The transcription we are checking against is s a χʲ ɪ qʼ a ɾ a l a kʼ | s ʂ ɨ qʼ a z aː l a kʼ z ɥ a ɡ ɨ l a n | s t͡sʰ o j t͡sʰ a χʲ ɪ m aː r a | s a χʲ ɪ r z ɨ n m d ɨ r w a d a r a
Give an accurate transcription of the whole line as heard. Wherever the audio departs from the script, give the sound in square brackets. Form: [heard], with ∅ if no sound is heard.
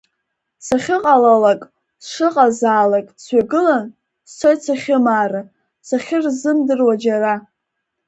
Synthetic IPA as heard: s a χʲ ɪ qʼ a [l] a l a kʼ | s ʂ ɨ qʼ a z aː l a kʼ [s] ɥ a ɡ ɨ l a n | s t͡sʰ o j t͡sʰ a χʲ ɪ m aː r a | s a χʲ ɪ r z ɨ [∅] m d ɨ r w a [d͡ʒ] a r a

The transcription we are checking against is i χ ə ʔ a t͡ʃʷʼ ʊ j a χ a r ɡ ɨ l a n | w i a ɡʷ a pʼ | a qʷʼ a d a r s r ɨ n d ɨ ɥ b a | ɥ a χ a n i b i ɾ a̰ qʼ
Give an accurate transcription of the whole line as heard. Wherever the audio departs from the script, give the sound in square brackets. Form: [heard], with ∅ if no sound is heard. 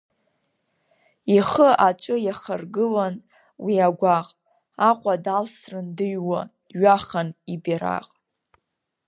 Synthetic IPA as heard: i χ ə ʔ a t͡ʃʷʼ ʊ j a χ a r ɡ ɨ l a n | w i a ɡʷ a [qʼ] | a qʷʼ a d a [l] s r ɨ n d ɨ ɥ [w] a | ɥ a χ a n i b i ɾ a̰ qʼ

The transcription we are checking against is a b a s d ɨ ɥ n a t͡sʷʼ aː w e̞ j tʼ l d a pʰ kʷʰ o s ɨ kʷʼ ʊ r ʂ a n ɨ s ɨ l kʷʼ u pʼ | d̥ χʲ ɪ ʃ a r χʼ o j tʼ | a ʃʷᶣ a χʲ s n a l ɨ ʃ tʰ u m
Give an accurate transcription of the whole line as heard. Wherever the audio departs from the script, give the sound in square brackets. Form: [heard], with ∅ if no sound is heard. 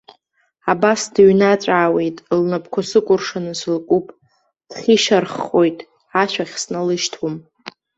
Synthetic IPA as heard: a b a s d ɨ ɥ n a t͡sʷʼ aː w e̞ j tʼ l [n] a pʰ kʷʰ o s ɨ kʷʼ ʊ r ʂ a n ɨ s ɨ l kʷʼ u pʼ | d̥ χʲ [i] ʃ a r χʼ o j tʼ | a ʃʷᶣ a χʲ s n a l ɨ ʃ tʰ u m

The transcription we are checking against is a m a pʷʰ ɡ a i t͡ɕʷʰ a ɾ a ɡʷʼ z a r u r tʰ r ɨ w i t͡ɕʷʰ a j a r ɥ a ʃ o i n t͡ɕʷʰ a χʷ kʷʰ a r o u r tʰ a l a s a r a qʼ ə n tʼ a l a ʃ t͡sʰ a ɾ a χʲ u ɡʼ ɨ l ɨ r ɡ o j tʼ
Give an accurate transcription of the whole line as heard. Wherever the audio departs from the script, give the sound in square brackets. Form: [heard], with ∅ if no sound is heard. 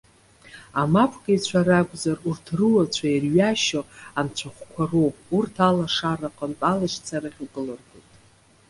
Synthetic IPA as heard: a m a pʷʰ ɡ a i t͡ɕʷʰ a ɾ a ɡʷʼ z a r u r tʰ r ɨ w [a] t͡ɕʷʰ a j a r ɥ a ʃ o [a] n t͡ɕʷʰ a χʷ kʷʰ a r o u r tʰ a l a [ʂ] a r a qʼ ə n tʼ a l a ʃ t͡sʰ a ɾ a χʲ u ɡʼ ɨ l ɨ r ɡ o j tʼ

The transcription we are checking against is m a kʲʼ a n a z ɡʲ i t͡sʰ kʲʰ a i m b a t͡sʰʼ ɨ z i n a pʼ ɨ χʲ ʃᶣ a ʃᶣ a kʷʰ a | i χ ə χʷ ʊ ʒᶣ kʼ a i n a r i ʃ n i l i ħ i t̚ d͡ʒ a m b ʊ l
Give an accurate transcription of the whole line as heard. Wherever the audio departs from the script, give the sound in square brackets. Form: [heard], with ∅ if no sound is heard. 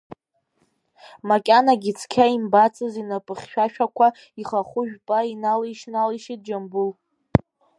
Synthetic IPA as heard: m a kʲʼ a n a [∅] ɡʲ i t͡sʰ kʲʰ a i m b a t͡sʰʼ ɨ z i n a pʼ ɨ χʲ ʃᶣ a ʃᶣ a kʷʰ a | i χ [a] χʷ ʊ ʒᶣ [pʼ] a i n a [l] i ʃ n [a] l i [ʃ] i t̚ d͡ʒ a m b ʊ l

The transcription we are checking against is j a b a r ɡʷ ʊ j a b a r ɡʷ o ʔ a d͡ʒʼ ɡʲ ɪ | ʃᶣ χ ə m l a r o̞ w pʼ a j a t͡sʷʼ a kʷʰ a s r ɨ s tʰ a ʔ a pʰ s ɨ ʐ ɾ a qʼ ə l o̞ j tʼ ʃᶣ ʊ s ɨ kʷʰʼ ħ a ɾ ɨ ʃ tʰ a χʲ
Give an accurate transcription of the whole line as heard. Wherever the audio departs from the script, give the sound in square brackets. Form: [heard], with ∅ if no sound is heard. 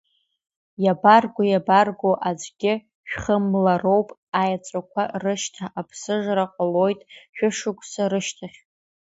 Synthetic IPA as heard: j a b a r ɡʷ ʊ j a b a r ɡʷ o ʔ a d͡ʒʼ ɡʲ ɪ | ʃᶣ χ ə m l a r o̞ w pʼ a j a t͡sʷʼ a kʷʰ a [∅] r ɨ [ʃ] tʰ a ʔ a pʰ s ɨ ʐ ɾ a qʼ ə l o̞ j tʼ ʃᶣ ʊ [ʂ] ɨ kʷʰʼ [s] a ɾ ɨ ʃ tʰ a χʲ

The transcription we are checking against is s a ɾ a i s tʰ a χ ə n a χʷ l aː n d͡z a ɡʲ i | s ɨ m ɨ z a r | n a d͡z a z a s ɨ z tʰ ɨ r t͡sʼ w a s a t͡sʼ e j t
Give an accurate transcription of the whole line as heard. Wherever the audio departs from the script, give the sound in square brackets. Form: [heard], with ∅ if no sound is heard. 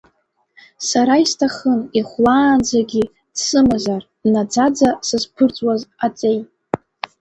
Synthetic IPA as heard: s a ɾ a i s tʰ a χ ə n [i] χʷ l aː n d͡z a ɡʲ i | s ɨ m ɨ z a r | n a d͡z a [d͡z] a s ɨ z [pʰ] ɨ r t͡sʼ w a [z] a t͡sʼ e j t

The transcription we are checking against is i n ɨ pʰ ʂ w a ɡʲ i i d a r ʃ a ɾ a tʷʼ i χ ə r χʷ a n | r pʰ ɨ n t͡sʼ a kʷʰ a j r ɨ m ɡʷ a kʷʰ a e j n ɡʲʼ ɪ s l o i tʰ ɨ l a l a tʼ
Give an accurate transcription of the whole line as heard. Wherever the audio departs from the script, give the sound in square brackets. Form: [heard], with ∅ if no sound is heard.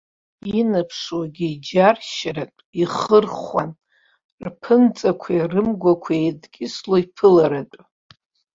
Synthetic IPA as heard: i n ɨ pʰ ʂ w a ɡʲ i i [d͡ʒ] a r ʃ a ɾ a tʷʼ i χ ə r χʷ a n | r pʰ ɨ n t͡sʼ a kʷʰ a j r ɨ m ɡʷ a kʷʰ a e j [d] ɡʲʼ ɪ s l o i [pʰ] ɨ l a [ɾ] a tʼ

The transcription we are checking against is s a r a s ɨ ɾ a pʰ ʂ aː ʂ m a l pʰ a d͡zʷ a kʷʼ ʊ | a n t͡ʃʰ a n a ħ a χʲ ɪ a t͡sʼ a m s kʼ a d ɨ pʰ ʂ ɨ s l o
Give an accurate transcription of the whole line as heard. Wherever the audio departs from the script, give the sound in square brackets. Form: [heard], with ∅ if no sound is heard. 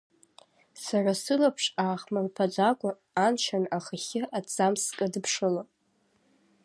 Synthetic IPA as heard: s a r a s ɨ [l] a pʰ ʂ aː [χ] m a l pʰ a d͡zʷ a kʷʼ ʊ | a n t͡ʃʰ a n a [χ] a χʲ ɪ a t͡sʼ a m s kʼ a d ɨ pʰ ʂ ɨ [∅] l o

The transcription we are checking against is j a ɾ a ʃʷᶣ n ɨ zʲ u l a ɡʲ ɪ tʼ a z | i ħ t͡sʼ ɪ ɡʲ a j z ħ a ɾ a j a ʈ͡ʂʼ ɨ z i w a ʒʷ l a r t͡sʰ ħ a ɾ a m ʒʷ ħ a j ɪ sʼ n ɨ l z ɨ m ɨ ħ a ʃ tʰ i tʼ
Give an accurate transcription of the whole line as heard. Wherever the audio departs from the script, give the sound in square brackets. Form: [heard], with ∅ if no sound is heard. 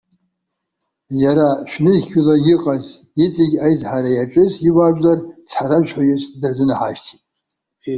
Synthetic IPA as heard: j a ɾ a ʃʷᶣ n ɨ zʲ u l a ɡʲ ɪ [qʼ] a z | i [∅] t͡sʼ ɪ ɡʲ a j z ħ a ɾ a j a ʈ͡ʂʼ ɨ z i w a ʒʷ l a r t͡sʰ ħ a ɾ a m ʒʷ ħ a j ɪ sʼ [d] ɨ [r] z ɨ [n] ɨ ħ a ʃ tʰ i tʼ

